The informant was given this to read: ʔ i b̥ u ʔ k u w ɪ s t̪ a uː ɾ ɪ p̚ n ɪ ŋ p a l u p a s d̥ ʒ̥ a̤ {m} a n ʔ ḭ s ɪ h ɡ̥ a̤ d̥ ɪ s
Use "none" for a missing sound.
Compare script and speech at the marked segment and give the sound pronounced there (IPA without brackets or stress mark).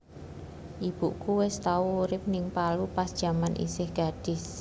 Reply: m